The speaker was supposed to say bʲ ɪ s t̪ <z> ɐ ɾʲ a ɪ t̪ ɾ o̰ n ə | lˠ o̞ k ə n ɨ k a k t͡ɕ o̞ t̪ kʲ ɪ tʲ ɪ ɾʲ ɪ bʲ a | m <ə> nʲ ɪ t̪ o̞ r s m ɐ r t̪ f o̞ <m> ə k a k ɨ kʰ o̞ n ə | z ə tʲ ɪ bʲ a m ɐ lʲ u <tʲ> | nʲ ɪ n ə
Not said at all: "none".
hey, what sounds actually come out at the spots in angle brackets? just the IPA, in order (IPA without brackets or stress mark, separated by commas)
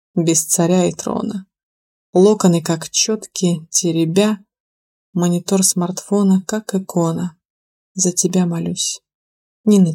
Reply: s, ə, n, sʲ